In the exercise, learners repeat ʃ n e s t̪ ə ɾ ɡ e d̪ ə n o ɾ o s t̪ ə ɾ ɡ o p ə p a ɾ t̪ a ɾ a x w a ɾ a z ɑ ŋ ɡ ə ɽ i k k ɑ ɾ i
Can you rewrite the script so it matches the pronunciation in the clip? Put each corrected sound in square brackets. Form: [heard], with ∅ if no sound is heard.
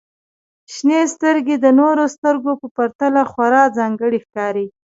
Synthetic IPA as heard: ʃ n e s t̪ ə ɾ ɡ e d̪ ə n o ɾ o s t̪ ə ɾ ɡ o p ə p a ɾ t̪ a [l] a x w a ɾ [ɑ] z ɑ ŋ ɡ ə ɽ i [x] k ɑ ɾ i

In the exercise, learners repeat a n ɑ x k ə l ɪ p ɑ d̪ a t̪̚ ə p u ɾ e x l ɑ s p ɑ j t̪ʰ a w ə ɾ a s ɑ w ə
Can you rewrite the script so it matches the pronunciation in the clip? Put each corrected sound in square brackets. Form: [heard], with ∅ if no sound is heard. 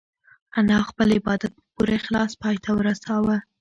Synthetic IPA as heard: a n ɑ x [p] ə l ɪ [b] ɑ d̪ a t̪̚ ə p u ɾ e x l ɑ s p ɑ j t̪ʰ a w ə ɾ a s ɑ w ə

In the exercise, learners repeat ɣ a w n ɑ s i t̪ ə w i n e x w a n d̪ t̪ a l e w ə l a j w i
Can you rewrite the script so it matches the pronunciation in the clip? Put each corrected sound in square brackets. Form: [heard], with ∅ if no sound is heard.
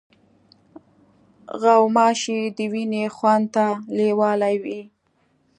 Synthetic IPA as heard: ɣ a w [m] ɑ [ʃ] i [d̪] ə w i n e x w a n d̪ t̪ a l e w [ɑ] l a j w i

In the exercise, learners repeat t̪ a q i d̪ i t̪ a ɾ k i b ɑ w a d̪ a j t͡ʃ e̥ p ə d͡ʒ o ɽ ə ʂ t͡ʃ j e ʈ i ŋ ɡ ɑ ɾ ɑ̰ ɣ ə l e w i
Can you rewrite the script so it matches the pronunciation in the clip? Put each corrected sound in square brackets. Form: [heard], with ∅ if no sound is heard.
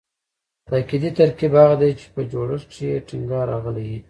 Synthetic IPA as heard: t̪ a [k] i d̪ i t̪ a ɾ k i b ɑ [ɣ] a d̪ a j t͡ʃ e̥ p ə d͡ʒ o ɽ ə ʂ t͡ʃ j e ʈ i ŋ ɡ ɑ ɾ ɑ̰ ɣ ə l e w i

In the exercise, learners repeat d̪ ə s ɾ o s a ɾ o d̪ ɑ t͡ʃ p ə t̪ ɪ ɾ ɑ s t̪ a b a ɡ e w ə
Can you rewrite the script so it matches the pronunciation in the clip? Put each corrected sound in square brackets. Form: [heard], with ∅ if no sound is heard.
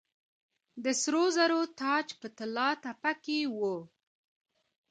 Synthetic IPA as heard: d̪ ə s ɾ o [z] a ɾ o [t̪] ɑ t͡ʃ p ə t̪ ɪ [l] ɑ [∅] t̪ a [p] a [k] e w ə

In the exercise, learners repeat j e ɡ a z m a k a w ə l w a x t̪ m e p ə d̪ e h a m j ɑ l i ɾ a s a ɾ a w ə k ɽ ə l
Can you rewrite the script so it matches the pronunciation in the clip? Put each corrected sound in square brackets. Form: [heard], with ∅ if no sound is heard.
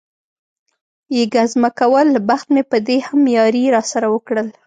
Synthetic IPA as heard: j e ɡ a z m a k a w ə l [b] a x t̪ m e p ə d̪ e h a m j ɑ [ɾ] i ɾ [ɑ] s a ɾ a w ə k ɽ ə l

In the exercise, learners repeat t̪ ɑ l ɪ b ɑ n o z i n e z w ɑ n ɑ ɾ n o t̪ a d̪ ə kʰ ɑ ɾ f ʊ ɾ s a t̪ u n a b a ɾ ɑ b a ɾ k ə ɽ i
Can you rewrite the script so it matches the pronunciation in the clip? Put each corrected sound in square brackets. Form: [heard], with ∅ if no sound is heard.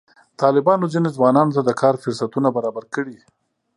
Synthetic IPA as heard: t̪ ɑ l ɪ b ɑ n o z i n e z w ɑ n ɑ [∅] n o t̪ a d̪ ə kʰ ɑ ɾ f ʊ ɾ s a t̪ u n a b a ɾ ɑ b a ɾ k ə ɽ i

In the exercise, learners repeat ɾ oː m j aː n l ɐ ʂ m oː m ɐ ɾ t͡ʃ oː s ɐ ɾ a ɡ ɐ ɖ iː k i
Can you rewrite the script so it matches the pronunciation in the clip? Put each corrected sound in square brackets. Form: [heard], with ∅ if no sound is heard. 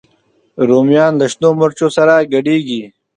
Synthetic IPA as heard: ɾ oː m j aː n l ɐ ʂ [n] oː m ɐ ɾ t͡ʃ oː s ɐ ɾ a ɡ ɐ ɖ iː [ɡ] i

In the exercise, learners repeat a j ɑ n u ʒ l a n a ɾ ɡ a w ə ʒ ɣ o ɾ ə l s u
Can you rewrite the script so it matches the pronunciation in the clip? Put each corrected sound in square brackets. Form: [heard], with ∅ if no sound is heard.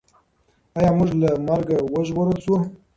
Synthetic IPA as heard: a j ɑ [m] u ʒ l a [m] a ɾ ɡ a w ə ʒ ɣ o ɾ ə l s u

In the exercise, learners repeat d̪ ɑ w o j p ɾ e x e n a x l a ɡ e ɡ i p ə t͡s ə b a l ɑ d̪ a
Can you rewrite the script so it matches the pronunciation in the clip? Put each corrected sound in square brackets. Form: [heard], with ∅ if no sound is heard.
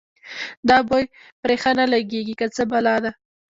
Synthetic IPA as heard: d̪ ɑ [b] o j p ɾ e x [a] n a [∅] l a ɡ e ɡ i [k] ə t͡s ə b a l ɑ d̪ a

